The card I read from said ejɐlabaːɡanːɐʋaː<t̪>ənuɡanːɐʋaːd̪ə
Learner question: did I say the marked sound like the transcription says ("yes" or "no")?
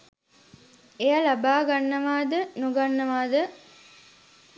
no